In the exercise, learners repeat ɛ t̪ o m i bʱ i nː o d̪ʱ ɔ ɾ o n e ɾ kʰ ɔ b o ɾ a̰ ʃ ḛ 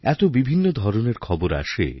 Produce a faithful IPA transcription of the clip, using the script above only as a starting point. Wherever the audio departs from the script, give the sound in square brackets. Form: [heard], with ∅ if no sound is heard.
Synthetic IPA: ɛ t̪ o [b] i bʱ i nː o d̪ʱ ɔ ɾ o n e ɾ kʰ ɔ b o ɾ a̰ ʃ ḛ